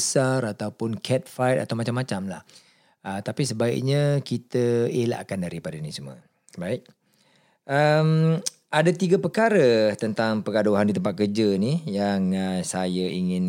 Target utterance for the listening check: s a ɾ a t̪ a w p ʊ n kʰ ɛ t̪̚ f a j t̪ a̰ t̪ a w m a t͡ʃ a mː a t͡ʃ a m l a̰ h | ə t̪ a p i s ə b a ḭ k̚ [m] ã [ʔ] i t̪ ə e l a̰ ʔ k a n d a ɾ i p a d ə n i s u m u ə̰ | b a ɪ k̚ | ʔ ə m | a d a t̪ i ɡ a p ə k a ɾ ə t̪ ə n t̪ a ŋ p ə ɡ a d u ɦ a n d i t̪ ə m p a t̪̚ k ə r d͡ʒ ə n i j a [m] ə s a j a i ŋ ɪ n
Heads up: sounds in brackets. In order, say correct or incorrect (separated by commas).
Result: incorrect, incorrect, incorrect